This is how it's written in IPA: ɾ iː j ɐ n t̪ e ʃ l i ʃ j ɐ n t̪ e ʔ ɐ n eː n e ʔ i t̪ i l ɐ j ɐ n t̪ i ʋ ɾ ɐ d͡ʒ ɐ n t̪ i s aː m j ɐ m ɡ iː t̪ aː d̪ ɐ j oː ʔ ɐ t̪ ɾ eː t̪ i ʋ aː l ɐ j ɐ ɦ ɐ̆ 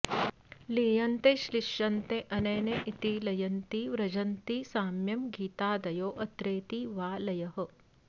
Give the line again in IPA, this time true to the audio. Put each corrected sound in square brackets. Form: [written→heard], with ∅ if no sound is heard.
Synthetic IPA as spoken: [ɾ→l] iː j ɐ n t̪ e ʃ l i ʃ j ɐ n t̪ e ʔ ɐ n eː n e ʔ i t̪ i l ɐ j ɐ n t̪ i ʋ ɾ ɐ d͡ʒ ɐ n t̪ i s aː m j ɐ m ɡ iː t̪ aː d̪ ɐ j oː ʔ ɐ t̪ ɾ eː t̪ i ʋ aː l ɐ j ɐ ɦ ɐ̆